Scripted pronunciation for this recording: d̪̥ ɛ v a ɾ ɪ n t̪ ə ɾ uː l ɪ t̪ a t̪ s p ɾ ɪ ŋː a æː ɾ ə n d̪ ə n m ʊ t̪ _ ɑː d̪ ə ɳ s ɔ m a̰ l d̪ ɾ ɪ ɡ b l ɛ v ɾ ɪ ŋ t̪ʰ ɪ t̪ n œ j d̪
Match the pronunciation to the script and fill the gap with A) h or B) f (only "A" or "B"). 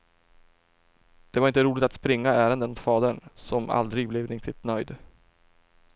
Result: B